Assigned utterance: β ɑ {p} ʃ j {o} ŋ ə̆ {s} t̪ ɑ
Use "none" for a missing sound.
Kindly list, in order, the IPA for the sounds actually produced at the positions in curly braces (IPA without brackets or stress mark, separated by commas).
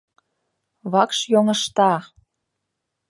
k, o, ʃ